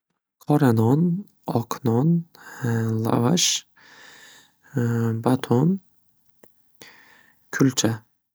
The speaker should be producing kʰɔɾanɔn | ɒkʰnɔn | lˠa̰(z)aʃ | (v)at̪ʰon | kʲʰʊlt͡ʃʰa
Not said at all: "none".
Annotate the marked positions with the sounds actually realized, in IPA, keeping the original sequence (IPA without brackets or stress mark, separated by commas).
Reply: v, b